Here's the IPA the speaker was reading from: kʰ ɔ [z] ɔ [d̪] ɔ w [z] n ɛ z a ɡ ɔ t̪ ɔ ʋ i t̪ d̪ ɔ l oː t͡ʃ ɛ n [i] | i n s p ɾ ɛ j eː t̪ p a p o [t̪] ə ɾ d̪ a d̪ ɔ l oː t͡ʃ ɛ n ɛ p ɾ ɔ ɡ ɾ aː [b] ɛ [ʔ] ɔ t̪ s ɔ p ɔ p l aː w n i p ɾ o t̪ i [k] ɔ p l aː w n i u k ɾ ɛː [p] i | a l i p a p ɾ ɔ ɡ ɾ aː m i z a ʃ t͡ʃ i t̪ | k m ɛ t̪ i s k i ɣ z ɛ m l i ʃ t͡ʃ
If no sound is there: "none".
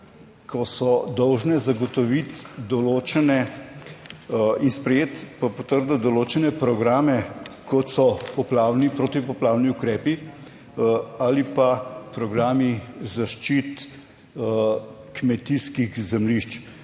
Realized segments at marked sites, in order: s, d̪, ʒ, ɛ, t̪, m, k, p, p

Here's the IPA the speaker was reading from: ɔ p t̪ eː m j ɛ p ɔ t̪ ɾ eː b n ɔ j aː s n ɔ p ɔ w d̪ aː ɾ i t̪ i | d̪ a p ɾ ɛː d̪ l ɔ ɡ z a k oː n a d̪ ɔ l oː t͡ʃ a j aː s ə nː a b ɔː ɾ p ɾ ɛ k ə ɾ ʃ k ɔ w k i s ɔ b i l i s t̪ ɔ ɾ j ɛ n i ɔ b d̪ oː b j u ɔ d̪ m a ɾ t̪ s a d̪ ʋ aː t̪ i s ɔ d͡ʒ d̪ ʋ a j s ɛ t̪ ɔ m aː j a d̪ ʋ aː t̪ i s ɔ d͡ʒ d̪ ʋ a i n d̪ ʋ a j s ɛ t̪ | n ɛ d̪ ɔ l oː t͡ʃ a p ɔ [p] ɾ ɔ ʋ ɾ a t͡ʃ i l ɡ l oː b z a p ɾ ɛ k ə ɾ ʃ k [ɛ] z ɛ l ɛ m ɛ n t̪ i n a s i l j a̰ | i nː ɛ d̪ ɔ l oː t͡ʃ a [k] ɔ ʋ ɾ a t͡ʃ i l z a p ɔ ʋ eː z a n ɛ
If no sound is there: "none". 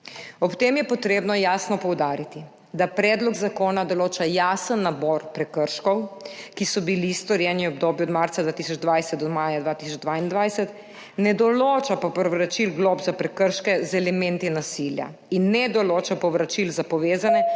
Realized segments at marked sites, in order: p, ɛ, p

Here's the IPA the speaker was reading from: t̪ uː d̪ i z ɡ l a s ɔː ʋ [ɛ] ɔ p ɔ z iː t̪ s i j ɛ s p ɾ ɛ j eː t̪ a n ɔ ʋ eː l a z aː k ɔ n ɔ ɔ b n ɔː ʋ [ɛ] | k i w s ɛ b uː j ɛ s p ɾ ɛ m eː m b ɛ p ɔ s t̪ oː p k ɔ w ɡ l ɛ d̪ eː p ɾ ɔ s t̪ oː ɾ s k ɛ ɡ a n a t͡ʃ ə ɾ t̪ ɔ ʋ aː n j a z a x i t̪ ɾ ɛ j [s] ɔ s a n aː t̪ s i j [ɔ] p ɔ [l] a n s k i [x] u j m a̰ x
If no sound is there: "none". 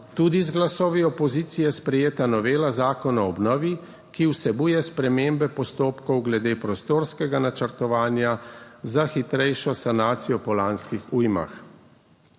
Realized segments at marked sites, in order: i, i, ʃ, ɔ, l, x

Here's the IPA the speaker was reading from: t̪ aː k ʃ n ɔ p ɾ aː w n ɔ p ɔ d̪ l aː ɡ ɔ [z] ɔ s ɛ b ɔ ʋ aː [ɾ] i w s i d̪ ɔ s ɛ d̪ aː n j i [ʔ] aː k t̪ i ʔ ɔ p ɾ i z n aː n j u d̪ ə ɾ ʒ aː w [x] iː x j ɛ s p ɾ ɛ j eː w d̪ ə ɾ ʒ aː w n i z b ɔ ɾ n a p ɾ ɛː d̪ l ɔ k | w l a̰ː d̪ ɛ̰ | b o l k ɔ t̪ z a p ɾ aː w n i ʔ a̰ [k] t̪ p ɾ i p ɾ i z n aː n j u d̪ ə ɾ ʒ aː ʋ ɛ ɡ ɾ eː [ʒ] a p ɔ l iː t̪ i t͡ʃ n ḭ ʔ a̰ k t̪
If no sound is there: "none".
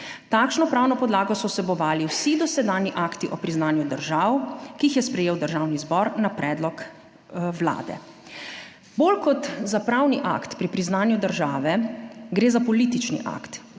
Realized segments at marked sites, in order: s, l, ʔ, k, k, z

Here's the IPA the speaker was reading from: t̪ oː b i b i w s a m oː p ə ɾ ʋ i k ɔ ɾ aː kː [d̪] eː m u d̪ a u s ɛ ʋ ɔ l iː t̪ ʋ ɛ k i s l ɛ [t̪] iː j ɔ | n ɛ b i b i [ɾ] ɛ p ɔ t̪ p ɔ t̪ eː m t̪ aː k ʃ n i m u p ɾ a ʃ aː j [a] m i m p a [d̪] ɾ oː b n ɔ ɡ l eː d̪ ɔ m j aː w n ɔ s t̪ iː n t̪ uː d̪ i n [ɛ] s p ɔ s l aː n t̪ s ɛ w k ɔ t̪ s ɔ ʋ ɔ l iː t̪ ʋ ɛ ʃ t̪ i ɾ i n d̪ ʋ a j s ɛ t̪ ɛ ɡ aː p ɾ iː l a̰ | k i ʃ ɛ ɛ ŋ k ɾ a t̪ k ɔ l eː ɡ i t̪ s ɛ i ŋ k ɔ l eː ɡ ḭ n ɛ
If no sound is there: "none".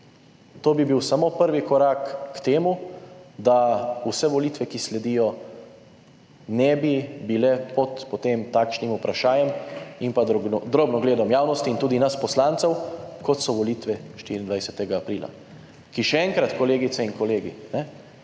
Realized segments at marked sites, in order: t̪, d̪, l, ɛ, d̪, a

